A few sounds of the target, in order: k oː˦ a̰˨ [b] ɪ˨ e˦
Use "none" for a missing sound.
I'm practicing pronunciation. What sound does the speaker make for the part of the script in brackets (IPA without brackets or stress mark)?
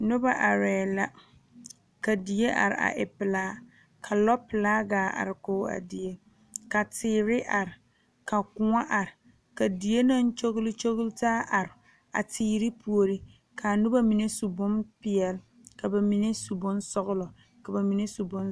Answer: d